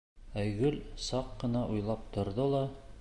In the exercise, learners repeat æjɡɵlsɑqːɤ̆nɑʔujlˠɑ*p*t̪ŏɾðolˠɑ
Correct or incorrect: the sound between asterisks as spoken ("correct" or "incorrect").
correct